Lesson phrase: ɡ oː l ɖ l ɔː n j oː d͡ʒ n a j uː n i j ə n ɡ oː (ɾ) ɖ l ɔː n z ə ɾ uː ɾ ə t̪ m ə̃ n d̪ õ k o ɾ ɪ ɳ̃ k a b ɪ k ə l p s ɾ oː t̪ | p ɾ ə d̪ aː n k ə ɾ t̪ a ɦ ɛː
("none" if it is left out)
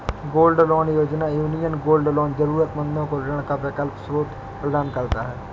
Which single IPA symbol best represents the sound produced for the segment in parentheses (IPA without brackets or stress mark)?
l